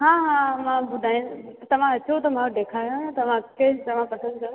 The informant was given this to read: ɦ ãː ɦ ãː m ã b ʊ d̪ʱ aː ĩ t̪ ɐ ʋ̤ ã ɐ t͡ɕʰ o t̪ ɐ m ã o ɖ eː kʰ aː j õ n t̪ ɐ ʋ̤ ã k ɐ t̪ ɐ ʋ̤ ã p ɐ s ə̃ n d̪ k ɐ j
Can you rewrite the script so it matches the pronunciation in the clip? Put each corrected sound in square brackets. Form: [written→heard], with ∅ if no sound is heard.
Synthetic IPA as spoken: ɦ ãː ɦ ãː m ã b ʊ d̪ʱ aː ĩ t̪ ɐ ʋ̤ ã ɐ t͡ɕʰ o t̪ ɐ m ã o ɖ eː kʰ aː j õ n t̪ ɐ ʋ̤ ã k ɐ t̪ ɐ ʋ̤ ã p ɐ s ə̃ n d̪ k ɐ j